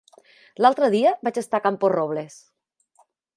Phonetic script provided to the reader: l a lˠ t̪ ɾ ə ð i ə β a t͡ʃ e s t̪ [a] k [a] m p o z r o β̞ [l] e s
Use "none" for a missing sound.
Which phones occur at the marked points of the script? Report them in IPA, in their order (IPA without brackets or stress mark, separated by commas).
a, a, l